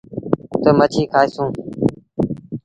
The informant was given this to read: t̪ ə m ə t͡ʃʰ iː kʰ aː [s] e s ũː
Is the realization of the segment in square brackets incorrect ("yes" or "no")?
yes